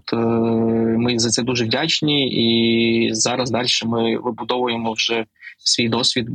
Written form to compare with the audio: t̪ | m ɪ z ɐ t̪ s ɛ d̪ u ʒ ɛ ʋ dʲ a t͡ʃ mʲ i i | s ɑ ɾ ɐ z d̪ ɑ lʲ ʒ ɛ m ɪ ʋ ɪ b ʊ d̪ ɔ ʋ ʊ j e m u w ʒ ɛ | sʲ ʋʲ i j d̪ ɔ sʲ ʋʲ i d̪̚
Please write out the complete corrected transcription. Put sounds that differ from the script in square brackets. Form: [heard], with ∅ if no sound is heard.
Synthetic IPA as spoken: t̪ | m ɪ z ɐ t̪ s ɛ d̪ u ʒ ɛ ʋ dʲ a t͡ʃ [nʲ] i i | [z] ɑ ɾ ɐ z d̪ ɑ lʲ [ʃ] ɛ m ɪ ʋ ɪ b ʊ d̪ ɔ ʋ ʊ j e m [ɔ] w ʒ ɛ | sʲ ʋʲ i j d̪ ɔ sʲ ʋʲ i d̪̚